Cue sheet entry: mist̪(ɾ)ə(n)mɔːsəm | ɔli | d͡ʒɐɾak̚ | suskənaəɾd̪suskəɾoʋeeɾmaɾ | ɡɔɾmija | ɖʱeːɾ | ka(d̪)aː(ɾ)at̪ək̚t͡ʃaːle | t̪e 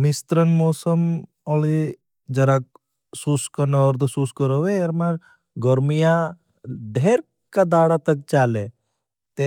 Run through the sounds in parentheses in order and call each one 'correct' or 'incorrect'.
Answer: correct, correct, correct, incorrect: ɽ

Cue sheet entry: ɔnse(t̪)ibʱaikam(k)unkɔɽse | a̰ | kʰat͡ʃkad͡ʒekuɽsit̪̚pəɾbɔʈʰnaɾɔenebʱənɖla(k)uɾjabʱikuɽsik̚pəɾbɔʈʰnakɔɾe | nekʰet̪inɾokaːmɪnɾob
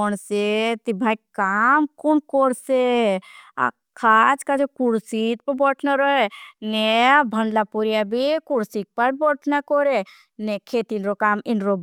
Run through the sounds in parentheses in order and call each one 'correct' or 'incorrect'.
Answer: correct, correct, incorrect: p

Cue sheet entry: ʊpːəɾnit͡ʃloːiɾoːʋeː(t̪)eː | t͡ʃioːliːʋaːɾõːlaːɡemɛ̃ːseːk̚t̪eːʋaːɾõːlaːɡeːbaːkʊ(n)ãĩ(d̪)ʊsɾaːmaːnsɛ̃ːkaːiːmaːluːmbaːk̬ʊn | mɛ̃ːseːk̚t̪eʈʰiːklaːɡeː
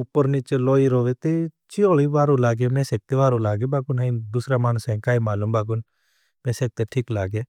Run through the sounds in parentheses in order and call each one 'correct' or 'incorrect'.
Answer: correct, correct, correct

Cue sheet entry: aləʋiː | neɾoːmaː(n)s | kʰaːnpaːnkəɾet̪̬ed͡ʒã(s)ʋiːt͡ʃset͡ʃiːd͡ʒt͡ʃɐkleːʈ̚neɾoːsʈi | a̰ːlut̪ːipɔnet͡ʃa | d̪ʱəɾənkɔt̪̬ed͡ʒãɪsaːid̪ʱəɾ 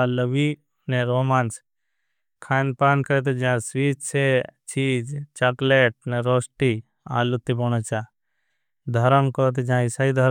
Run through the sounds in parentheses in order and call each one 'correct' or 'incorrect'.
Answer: correct, correct

